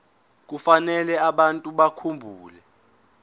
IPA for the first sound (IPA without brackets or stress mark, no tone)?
k̬